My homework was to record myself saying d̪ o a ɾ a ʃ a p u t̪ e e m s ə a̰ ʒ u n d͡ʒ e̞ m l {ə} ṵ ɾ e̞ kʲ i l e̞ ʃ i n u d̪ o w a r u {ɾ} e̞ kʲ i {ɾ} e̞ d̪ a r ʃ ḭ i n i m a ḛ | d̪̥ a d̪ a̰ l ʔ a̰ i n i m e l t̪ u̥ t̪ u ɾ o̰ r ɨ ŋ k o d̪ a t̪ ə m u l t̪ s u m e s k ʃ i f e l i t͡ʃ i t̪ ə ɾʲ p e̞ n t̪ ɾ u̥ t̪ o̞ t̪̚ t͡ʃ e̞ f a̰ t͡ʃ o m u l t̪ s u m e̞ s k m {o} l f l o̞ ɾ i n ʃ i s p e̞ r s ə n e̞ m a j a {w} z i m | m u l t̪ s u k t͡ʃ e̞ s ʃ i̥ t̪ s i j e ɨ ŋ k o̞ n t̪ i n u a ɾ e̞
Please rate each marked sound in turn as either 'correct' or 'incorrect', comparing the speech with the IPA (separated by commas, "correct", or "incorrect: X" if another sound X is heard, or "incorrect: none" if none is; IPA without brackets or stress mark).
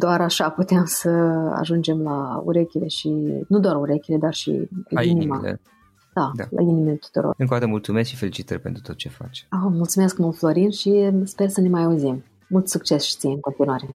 incorrect: a, correct, incorrect: l, incorrect: u, incorrect: u